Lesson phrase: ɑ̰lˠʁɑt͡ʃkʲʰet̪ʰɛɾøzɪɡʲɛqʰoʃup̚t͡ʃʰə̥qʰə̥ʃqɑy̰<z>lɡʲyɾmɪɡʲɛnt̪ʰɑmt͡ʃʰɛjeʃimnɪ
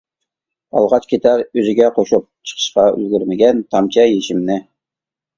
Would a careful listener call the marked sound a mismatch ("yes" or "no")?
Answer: yes